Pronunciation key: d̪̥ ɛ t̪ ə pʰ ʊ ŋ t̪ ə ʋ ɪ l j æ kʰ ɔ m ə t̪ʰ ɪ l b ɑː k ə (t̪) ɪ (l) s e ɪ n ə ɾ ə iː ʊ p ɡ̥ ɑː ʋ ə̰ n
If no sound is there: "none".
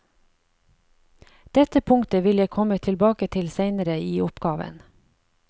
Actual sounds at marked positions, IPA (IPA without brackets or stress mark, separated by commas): t̪ʰ, l